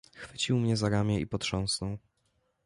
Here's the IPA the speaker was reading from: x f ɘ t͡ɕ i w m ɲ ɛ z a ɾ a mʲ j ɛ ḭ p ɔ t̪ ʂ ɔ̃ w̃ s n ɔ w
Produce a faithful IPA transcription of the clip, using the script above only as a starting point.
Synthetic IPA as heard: x f ɘ t͡ɕ i w m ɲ ɛ z a ɾ a mʲ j ɛ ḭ p ɔ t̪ ʂ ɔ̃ w̃ s n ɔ w